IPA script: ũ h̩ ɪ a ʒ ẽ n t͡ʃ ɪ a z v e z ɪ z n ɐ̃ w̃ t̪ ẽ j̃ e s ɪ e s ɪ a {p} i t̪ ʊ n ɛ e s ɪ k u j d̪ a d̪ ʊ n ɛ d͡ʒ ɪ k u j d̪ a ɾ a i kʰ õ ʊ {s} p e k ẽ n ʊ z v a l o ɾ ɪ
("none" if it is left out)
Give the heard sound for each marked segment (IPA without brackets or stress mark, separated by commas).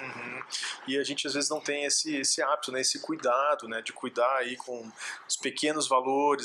b, s